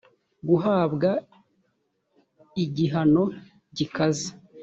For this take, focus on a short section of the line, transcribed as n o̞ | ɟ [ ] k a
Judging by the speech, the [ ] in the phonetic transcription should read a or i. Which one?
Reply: i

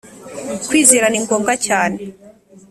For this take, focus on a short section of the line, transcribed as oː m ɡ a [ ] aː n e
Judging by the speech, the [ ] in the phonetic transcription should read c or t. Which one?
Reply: c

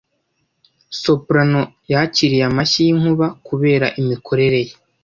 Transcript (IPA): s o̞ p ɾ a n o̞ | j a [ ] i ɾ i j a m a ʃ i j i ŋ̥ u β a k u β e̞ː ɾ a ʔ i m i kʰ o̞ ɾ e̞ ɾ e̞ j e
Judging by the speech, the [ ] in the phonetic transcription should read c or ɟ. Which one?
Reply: c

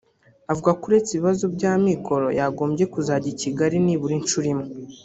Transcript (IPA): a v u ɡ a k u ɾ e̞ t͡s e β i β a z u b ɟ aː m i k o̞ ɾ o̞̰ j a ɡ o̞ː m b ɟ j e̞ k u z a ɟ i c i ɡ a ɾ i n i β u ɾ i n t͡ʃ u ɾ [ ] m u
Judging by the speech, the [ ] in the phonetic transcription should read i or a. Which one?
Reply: i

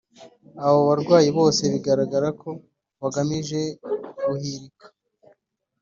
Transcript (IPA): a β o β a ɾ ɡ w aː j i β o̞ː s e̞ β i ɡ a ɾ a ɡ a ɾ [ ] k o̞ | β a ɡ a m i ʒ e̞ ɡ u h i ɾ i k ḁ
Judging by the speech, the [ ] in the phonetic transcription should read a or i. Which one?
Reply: a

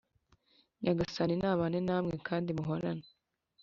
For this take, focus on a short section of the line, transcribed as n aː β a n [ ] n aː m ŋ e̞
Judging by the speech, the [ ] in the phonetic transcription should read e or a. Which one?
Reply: e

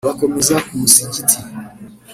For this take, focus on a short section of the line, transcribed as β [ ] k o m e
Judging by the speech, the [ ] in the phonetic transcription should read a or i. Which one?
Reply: a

